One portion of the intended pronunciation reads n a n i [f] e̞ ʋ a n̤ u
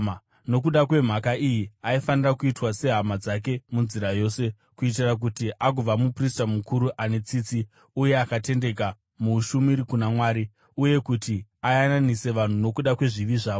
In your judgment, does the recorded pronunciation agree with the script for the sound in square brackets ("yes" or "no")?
no